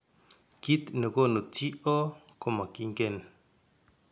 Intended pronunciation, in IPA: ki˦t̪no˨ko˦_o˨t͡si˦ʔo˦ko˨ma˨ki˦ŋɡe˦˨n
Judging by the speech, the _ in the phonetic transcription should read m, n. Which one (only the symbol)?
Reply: n